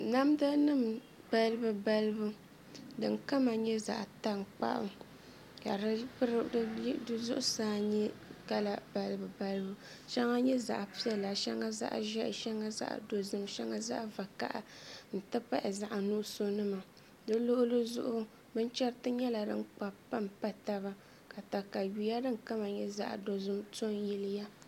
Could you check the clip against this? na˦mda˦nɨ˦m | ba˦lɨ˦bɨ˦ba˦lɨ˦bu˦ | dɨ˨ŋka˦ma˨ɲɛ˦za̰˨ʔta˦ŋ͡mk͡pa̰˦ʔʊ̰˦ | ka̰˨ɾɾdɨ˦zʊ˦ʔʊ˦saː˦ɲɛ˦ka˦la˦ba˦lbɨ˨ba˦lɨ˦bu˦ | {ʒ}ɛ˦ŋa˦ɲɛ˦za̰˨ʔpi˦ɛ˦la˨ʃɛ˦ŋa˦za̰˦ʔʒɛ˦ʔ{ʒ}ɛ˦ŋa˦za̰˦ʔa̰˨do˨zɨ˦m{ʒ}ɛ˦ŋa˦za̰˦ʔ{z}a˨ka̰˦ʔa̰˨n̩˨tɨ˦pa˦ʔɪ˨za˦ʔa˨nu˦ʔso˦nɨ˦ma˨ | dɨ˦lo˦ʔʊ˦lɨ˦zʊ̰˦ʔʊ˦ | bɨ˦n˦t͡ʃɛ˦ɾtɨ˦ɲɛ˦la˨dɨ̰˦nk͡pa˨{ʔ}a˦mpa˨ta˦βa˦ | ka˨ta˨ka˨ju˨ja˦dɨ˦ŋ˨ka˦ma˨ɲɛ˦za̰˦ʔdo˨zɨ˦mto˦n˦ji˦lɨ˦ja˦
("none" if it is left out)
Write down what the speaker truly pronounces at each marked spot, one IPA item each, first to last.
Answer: ʃ, ʃ, ʃ, v, p

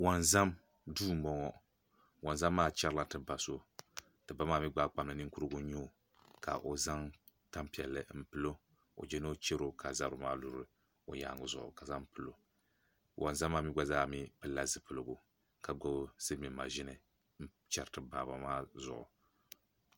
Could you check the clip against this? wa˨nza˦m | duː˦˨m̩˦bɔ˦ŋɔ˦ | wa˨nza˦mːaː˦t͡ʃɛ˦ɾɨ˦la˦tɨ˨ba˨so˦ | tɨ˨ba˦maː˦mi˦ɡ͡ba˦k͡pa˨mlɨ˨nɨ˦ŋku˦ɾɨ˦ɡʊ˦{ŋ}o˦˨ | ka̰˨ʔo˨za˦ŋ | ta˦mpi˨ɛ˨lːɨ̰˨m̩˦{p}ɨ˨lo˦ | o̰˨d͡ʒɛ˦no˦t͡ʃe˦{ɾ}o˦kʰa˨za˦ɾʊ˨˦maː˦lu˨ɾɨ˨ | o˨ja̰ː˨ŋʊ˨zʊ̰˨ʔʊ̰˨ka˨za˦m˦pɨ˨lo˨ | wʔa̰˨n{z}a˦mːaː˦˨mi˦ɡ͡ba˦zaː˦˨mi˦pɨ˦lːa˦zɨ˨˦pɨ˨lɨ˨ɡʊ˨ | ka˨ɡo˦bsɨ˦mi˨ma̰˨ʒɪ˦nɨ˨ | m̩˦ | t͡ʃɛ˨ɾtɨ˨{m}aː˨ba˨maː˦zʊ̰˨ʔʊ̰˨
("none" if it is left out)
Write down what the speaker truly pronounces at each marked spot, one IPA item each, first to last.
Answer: ɲ, p, ɾ, z, b

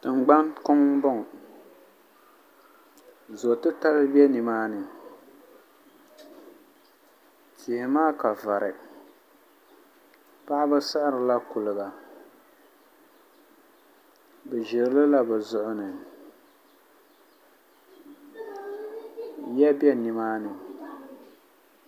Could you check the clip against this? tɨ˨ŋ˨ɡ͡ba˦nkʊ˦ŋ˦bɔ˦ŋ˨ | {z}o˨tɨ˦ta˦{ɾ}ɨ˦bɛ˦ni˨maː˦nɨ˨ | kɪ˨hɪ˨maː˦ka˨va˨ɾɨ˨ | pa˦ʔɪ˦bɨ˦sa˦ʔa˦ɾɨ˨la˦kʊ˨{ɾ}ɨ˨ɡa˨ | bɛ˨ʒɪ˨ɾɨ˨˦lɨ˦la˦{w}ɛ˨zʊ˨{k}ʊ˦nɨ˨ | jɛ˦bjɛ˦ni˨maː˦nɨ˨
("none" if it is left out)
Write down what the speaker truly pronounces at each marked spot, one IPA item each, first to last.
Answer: z, l, l, b, ʔ

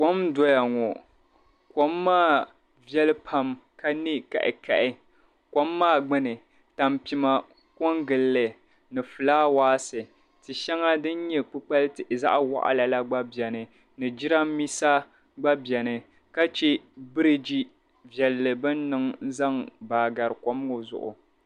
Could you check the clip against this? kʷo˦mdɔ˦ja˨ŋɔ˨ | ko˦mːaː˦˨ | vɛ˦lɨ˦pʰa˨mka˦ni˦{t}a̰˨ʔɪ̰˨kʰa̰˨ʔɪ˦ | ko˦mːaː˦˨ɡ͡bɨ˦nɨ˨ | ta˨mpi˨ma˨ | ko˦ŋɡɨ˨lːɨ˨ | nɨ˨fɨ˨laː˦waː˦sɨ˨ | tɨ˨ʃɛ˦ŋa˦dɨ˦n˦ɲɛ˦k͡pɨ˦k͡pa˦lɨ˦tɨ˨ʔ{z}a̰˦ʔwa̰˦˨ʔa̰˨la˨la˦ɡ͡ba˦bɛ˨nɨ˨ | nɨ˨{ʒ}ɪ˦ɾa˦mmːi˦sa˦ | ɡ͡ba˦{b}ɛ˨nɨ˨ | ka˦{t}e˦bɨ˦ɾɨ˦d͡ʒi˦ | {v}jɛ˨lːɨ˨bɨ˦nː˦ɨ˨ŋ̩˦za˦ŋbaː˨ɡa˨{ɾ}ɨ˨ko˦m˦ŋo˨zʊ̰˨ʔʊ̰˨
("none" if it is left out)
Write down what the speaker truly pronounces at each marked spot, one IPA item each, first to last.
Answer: k, z, d͡ʒ, b, t͡ʃ, v, ɾ

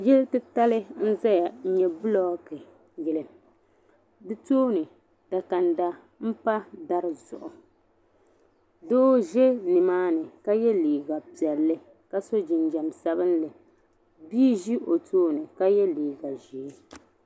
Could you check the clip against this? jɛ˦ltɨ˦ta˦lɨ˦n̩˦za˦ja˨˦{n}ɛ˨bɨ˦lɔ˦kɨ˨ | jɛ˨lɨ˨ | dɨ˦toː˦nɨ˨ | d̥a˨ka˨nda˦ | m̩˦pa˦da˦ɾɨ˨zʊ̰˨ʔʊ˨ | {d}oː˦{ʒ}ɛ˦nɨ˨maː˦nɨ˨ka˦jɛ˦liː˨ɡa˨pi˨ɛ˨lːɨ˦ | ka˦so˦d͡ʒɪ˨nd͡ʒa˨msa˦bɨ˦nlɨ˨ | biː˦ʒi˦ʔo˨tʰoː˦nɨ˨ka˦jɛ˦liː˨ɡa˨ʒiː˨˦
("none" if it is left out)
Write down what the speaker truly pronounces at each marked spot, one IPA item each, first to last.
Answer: ɲ, d, ʒ

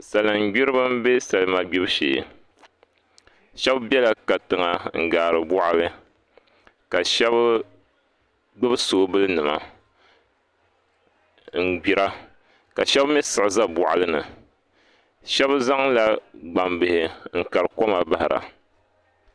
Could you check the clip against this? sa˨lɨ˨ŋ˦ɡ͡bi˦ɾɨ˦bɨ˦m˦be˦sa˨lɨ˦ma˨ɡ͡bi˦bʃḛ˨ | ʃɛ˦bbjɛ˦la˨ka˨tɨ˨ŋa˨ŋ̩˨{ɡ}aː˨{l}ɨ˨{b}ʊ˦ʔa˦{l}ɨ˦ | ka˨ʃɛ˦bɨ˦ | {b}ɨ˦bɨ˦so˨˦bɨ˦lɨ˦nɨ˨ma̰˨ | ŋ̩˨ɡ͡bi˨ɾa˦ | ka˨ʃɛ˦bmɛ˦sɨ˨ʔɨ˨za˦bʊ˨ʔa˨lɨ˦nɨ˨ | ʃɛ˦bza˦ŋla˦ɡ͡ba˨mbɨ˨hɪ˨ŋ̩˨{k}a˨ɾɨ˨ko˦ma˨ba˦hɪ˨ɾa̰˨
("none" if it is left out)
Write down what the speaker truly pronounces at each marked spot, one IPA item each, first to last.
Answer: ɡ, ɾ, b, l, ɡ͡b, k

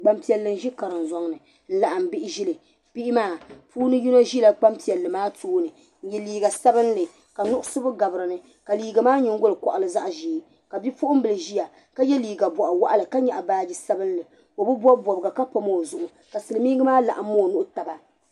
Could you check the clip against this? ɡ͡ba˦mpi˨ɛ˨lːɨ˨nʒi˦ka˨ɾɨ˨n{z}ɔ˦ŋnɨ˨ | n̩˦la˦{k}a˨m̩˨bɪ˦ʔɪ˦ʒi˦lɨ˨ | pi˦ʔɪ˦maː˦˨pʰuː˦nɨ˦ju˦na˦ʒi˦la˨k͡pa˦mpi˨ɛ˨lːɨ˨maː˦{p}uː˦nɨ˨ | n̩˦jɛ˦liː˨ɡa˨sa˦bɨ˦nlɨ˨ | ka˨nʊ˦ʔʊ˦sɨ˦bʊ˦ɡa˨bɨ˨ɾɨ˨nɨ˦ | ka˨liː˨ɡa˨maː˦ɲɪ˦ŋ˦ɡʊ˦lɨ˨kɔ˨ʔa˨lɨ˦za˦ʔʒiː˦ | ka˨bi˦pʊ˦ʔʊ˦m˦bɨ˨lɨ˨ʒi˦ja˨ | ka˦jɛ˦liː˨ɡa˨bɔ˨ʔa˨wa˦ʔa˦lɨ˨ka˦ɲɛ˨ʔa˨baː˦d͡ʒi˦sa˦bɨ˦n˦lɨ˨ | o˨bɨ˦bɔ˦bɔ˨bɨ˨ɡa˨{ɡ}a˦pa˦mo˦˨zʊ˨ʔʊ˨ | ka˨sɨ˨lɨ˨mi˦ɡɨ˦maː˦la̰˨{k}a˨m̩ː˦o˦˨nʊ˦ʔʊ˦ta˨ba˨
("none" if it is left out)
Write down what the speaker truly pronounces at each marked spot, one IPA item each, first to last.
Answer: z, ʔ, t, k, ʔ

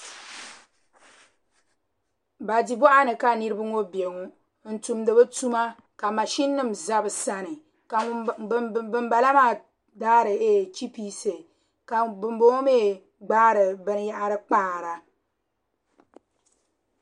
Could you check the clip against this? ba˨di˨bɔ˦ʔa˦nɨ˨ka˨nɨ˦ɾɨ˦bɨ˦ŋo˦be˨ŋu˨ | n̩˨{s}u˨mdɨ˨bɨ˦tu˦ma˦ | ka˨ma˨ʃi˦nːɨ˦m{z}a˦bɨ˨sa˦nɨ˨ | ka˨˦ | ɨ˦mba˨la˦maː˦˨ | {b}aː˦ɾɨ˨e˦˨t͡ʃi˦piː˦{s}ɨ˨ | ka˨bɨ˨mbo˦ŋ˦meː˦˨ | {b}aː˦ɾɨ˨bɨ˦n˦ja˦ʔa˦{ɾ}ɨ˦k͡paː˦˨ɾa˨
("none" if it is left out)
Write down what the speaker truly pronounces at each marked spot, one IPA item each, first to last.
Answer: t, z, d, s, ɡ͡b, ɾ

